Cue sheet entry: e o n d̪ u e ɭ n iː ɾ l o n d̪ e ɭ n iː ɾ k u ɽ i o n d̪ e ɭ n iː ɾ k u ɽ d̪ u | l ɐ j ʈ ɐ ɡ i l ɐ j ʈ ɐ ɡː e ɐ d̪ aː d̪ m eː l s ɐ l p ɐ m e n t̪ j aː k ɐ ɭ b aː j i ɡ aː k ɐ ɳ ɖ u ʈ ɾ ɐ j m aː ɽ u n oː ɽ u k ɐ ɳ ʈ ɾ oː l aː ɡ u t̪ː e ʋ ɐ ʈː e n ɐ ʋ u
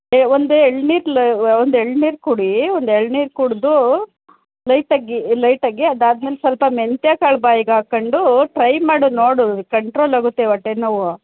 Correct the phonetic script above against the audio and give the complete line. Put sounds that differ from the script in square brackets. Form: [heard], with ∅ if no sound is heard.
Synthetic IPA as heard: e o n d̪ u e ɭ n iː ɾ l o n d̪ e ɭ n iː ɾ k u ɽ i o n d̪ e ɭ n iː ɾ k u ɽ d̪ u | l ɐ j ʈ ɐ ɡ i l ɐ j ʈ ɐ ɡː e ɐ d̪ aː d̪ m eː l s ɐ l p ɐ m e n t̪ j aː k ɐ ɭ b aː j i ɡ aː k ɐ ɳ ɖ u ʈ ɾ ɐ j m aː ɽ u n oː ɽ u k ɐ ɳ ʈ ɾ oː l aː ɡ u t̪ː e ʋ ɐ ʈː e n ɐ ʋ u